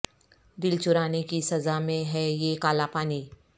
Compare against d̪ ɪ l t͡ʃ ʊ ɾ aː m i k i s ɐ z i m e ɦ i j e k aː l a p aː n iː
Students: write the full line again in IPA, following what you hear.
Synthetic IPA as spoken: d̪ ɪ l t͡ʃ ʊ ɾ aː n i k i s ɐ z a m ẽ ɦ ɛ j e k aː l a p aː n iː